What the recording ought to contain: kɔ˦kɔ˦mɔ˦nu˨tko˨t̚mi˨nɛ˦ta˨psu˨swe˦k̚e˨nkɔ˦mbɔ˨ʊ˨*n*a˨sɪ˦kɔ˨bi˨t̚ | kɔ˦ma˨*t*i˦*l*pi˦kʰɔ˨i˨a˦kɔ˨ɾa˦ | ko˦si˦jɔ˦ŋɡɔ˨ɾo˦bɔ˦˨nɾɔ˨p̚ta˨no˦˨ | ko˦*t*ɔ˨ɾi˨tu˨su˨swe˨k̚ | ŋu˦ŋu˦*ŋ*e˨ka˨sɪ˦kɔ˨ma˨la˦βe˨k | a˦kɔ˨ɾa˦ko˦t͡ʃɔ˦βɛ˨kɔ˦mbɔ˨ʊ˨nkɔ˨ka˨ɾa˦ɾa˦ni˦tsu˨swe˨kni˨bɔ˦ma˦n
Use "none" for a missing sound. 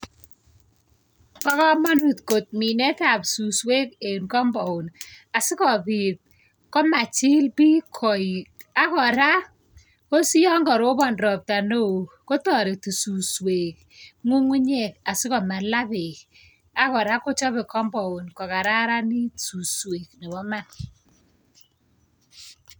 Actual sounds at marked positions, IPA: n, t͡ʃ, l, t, ɲ

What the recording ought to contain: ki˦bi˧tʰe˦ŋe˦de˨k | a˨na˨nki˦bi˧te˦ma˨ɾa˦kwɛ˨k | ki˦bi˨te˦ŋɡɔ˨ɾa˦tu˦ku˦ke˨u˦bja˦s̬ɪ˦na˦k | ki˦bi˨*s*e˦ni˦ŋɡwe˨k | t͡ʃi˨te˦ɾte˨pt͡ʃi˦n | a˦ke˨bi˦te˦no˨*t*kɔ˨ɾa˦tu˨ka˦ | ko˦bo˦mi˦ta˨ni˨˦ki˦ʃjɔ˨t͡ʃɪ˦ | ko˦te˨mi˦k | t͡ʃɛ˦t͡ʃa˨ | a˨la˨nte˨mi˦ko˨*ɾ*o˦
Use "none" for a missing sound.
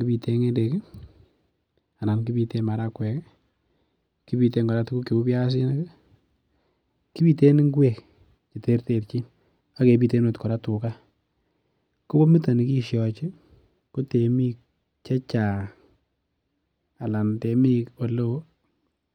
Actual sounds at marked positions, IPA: t, t, l

